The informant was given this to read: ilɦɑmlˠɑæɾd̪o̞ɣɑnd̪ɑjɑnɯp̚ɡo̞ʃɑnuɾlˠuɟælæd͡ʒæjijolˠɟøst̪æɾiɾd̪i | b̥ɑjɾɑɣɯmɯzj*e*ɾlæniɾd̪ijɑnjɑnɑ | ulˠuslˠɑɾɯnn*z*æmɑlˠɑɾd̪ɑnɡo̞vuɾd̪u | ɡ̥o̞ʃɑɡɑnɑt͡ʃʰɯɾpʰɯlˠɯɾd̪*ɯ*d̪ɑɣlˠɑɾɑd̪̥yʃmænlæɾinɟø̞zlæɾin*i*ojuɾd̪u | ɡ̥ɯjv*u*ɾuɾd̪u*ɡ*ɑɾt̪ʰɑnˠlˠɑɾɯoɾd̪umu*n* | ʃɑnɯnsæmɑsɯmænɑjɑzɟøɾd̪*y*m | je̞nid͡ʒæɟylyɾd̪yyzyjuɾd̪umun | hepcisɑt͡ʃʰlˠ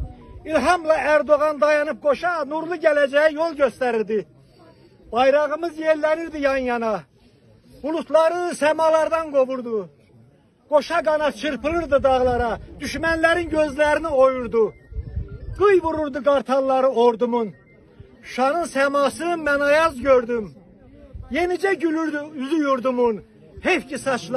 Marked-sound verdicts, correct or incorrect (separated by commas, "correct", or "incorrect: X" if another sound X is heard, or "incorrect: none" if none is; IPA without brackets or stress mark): correct, incorrect: s, correct, correct, correct, correct, correct, correct